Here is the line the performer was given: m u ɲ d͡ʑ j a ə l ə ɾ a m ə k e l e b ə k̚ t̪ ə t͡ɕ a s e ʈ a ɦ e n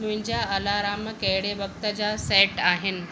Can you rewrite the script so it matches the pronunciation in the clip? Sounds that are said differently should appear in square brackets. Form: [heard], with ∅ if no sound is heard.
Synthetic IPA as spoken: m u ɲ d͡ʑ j a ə l [a] ɾ a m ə k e [ɽ] e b ə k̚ t̪ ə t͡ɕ a s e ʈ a ɦ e n